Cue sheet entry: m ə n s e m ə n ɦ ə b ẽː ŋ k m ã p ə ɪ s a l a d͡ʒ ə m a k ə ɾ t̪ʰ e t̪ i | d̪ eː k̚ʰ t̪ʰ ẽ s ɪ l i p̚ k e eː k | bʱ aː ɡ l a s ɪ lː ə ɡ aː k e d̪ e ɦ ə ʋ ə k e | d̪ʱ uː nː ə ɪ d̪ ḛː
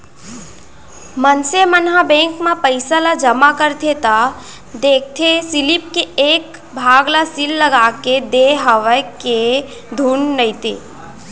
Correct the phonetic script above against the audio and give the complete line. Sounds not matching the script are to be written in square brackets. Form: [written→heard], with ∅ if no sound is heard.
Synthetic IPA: m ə n s e m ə n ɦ [ə→a] b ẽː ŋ k m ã p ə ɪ s a l a d͡ʒ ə m a k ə ɾ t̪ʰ e t̪ [i→a] | d̪ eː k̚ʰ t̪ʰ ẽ s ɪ l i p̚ k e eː k | bʱ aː ɡ l a s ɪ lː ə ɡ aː k e d̪ e ɦ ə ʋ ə k e | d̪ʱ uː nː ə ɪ [d̪→t̪] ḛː